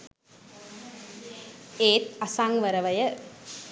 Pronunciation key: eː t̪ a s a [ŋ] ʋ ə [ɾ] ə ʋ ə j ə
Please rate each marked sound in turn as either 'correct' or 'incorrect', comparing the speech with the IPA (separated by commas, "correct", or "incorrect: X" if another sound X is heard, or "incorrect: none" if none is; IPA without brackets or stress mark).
correct, correct